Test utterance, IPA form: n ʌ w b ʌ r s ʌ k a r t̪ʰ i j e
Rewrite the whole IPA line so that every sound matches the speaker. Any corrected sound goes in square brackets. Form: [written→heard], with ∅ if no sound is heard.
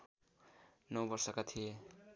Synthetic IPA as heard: n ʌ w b ʌ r s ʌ k a [r→∅] t̪ʰ i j e